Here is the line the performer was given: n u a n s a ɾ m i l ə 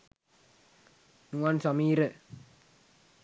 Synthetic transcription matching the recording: n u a n s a m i ɾ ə